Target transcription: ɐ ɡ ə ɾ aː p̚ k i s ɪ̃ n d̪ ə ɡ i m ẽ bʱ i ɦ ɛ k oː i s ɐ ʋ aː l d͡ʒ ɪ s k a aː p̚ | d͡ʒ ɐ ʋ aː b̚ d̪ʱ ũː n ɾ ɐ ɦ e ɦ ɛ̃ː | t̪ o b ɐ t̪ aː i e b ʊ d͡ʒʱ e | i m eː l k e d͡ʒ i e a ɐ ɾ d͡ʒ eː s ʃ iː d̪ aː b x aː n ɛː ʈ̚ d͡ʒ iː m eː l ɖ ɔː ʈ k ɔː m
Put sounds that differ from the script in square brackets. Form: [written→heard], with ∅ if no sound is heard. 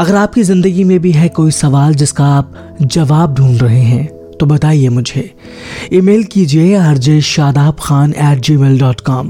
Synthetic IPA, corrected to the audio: ɐ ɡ ə ɾ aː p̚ k i [s→z] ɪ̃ n d̪ ə ɡ i m ẽ bʱ i ɦ ɛ k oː i s ɐ ʋ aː l d͡ʒ ɪ s k a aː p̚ | d͡ʒ ɐ ʋ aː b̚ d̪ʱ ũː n ɾ ɐ ɦ e ɦ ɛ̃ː | t̪ o b ɐ t̪ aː i e [b→m] ʊ d͡ʒʱ e | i m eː l k [e→i] d͡ʒ i e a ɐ ɾ d͡ʒ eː [s→ʃ] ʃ [iː→aː] d̪ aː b x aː n ɛː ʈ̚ d͡ʒ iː m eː l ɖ ɔː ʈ k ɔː m